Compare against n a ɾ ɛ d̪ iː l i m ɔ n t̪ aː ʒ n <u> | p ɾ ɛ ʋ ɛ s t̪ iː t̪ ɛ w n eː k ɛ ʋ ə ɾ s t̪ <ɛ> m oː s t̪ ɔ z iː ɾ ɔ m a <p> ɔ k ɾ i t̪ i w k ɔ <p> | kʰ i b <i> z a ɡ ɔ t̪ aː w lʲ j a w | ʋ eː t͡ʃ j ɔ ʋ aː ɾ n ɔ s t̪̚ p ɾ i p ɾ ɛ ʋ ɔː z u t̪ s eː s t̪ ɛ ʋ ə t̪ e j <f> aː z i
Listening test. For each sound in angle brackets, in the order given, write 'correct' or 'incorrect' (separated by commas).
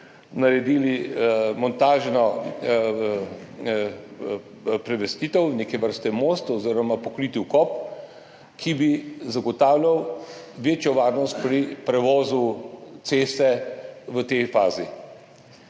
incorrect, correct, correct, correct, correct, correct